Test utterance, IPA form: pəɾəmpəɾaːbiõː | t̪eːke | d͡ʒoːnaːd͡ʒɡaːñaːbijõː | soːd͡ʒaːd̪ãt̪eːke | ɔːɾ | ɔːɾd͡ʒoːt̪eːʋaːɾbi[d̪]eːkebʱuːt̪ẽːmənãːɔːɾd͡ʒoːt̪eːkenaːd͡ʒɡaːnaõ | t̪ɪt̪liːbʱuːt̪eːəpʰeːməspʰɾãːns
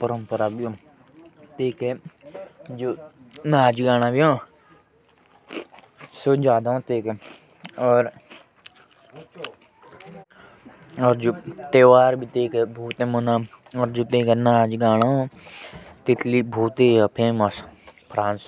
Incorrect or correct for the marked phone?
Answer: incorrect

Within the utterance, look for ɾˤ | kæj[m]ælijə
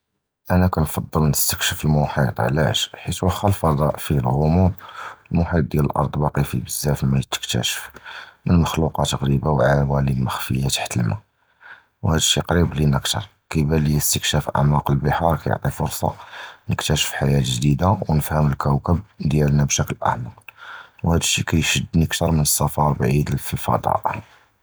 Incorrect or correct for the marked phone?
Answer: incorrect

